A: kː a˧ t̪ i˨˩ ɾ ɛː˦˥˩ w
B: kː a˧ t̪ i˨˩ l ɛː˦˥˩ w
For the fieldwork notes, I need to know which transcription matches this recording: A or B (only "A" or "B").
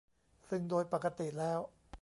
B